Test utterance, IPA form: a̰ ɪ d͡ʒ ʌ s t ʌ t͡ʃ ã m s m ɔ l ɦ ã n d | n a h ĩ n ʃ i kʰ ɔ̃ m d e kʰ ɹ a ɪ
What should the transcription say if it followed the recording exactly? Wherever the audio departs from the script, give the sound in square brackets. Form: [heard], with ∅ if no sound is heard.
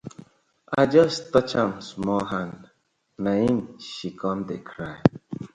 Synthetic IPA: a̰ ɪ d͡ʒ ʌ s t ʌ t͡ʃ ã m s m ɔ l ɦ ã n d | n a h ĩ [m] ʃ i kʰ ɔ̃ m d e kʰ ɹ a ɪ